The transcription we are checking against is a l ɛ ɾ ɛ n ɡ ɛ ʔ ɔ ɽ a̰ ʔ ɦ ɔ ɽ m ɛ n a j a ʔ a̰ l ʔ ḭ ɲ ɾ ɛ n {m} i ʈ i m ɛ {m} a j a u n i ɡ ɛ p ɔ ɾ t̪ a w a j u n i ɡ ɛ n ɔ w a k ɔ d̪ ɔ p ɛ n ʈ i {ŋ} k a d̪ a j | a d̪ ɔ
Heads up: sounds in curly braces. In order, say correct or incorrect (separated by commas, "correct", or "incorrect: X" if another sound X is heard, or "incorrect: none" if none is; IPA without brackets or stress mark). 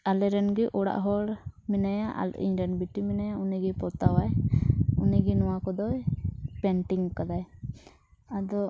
incorrect: b, incorrect: n, correct